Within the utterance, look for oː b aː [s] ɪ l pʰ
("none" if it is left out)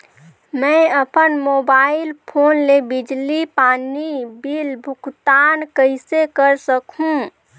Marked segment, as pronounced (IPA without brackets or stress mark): none